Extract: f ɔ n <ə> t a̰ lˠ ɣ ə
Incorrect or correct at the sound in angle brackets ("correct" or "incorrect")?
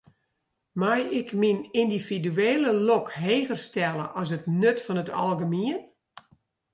correct